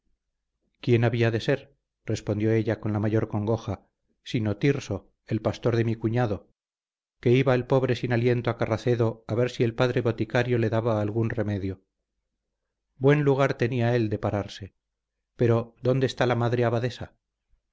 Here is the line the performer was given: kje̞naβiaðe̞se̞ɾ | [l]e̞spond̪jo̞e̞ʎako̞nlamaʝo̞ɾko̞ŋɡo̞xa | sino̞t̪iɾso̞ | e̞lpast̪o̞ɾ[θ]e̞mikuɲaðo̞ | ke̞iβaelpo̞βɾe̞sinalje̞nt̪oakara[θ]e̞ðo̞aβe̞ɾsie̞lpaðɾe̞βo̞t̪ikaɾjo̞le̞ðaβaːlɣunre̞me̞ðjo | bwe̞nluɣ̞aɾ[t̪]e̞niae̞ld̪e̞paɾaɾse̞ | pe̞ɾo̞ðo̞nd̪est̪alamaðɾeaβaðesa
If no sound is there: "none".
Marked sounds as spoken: r, ð, θ, t̪

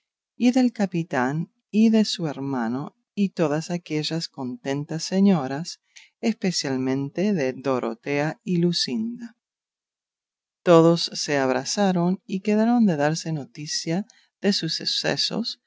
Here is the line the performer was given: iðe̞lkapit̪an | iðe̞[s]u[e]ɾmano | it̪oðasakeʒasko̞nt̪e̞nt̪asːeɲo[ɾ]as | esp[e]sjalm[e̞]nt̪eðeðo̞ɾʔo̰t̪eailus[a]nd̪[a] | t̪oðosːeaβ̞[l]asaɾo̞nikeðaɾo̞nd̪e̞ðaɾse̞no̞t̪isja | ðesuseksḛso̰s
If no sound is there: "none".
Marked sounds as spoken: s, e, ɾ, e, ẽ̞, i, a, ɾ

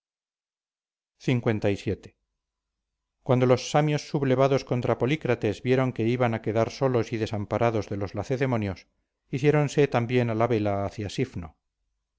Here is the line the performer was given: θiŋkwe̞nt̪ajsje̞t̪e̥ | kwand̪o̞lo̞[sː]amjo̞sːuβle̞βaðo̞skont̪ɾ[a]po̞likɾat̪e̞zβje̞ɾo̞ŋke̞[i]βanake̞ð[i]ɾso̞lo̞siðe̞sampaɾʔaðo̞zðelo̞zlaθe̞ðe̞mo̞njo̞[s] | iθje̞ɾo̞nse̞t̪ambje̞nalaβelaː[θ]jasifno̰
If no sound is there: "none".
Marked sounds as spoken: sː, a, i, a, s, θ

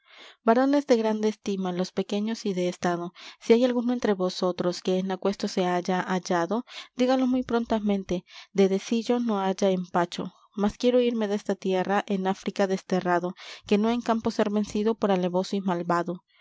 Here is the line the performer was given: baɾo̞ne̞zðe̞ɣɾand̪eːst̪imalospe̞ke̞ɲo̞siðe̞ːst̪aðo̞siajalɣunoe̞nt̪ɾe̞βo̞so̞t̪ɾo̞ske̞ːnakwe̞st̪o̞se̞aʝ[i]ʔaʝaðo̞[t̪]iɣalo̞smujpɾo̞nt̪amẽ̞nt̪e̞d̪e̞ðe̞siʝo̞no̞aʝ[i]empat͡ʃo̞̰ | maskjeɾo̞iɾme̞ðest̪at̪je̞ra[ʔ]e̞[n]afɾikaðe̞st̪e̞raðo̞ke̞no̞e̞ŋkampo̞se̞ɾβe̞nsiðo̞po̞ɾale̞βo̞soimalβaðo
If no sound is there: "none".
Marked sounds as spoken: a, d̪, a, ʔ, n

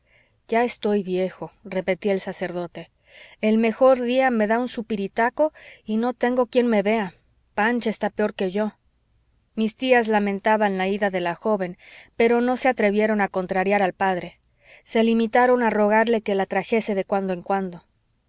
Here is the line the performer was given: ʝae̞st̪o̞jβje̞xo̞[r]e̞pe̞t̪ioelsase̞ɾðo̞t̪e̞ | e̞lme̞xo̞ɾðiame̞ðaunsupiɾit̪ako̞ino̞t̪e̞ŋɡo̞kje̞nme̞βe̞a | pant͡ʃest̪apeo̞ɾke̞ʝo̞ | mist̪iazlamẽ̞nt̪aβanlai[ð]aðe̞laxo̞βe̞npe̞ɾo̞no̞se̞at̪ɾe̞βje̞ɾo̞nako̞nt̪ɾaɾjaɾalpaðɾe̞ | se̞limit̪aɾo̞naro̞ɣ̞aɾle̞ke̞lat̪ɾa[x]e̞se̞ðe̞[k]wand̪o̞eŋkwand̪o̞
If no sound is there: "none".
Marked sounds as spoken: r, ð, x, k

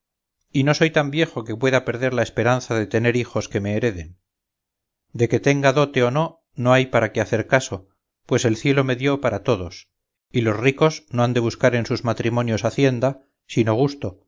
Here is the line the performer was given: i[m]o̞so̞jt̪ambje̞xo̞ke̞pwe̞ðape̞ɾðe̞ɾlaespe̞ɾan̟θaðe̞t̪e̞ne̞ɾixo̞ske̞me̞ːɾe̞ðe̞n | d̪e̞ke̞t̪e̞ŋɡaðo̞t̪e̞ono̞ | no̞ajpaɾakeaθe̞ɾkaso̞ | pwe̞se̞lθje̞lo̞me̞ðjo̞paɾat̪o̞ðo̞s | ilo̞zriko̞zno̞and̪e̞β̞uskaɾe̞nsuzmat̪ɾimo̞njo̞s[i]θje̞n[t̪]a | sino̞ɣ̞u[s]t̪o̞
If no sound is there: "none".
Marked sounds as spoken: n, a, d̪, s

